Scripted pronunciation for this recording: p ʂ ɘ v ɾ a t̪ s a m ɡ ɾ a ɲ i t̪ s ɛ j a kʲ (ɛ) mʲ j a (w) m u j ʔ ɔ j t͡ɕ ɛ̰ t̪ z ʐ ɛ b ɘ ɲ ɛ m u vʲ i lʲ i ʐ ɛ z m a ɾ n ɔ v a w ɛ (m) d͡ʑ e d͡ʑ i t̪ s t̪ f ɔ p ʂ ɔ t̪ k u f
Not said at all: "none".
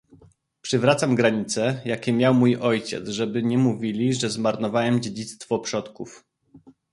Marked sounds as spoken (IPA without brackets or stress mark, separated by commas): ɛ, w, m